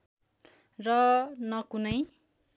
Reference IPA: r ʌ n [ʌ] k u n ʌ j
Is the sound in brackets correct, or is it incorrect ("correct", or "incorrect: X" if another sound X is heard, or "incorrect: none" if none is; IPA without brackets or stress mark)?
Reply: correct